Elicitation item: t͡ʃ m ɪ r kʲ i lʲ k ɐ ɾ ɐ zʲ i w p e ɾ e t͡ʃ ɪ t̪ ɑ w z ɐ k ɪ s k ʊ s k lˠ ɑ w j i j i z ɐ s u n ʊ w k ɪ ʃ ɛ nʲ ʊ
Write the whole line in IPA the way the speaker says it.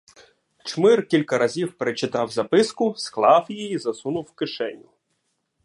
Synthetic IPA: t͡ʃ m ɪ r kʲ i lʲ k ɐ ɾ ɐ zʲ i w p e ɾ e t͡ʃ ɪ t̪ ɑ w z ɐ p ɪ s k ʊ s k lˠ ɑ w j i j i z ɐ s u n ʊ w k ɪ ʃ ɛ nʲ ʊ